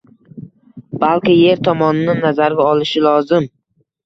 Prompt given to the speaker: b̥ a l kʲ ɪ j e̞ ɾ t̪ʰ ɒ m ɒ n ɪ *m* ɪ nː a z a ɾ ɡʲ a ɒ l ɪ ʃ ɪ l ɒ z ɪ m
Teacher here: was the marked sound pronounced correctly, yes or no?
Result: no